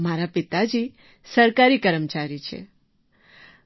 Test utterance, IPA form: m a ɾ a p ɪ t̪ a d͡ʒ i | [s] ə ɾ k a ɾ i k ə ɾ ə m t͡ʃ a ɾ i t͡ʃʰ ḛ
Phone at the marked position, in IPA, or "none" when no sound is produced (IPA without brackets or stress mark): s